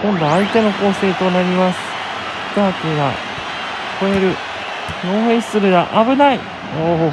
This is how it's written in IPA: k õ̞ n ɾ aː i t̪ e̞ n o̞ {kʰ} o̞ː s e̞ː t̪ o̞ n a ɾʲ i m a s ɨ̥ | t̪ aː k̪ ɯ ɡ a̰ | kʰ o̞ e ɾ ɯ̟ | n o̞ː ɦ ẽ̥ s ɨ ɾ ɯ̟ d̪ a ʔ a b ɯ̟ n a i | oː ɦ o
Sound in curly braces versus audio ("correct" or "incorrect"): incorrect